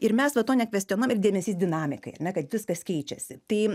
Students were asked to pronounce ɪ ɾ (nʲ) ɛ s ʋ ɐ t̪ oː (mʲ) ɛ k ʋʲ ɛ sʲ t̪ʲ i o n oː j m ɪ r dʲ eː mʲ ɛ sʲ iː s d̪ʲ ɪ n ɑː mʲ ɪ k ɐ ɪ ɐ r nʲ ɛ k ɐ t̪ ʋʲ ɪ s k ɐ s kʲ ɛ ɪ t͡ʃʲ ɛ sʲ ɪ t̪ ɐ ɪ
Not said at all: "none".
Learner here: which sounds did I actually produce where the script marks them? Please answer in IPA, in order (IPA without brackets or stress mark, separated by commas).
mʲ, nʲ